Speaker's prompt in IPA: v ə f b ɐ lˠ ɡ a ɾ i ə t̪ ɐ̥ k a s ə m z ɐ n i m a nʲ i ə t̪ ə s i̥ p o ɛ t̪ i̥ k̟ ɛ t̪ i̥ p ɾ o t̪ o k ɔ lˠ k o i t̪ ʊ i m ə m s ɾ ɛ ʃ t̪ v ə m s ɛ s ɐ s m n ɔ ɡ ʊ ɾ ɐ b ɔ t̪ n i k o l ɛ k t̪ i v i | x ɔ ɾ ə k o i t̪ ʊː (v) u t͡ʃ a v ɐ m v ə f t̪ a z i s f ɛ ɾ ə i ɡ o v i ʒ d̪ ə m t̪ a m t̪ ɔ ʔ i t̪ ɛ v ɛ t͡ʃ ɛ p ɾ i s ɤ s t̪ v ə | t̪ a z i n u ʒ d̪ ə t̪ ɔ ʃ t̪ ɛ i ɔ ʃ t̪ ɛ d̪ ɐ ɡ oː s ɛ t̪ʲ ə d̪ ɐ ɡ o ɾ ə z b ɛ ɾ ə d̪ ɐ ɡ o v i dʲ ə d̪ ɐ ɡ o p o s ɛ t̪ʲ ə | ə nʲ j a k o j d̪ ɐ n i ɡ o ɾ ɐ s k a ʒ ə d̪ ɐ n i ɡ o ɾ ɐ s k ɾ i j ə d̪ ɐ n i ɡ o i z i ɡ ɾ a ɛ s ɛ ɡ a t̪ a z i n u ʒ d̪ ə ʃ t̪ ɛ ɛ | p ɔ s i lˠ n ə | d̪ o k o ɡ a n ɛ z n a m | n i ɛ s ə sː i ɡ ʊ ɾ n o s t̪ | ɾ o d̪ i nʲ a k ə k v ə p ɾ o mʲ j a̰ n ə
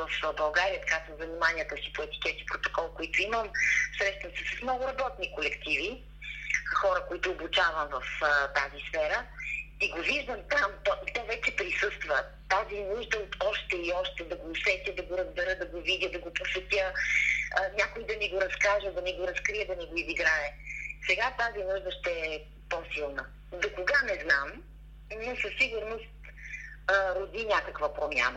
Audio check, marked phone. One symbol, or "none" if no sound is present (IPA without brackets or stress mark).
b